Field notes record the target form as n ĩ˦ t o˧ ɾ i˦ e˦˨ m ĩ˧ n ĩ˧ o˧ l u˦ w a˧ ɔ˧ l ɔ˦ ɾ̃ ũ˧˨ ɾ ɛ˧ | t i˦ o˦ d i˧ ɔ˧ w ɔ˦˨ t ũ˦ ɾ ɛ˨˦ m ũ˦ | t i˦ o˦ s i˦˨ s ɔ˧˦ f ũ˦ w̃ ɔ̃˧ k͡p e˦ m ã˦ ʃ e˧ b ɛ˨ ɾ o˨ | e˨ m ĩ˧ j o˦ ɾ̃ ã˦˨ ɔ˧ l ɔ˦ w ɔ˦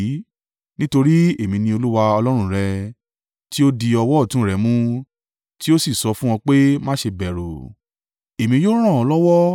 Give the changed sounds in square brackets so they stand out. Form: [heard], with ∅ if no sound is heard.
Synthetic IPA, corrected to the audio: n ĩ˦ t o˧ ɾ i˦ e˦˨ m ĩ˧ n ĩ˧ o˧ l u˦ w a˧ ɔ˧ l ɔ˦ ɾ̃ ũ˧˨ ɾ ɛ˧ | t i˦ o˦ d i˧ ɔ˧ w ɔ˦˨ t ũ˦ ɾ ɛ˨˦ m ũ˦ | t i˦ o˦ s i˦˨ s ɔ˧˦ f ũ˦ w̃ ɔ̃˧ k͡p e˦ m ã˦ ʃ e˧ b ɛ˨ ɾ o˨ | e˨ m ĩ˧ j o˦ ɾ̃ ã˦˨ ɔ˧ l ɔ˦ w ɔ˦